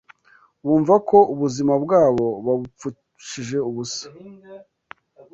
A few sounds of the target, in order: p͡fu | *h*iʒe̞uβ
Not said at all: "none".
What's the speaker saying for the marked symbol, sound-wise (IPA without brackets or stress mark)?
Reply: ʃ